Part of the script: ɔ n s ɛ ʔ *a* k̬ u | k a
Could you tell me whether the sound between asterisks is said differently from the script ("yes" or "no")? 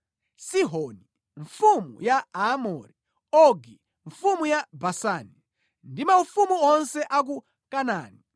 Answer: no